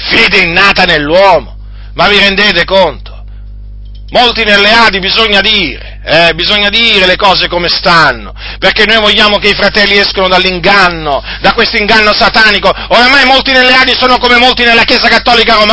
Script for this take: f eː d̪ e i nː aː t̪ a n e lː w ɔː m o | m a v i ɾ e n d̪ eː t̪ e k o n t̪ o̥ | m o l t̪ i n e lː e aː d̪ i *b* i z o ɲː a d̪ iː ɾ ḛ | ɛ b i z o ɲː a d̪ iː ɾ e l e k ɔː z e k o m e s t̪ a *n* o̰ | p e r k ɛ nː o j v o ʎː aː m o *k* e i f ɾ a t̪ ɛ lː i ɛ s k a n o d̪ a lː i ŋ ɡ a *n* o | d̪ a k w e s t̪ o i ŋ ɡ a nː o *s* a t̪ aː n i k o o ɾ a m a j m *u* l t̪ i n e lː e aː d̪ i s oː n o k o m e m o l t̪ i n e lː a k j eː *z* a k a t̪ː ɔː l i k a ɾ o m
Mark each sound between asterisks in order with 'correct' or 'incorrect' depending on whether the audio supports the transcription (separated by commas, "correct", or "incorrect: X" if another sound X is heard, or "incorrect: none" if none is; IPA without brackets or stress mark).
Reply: correct, incorrect: nː, correct, incorrect: nː, correct, incorrect: o, correct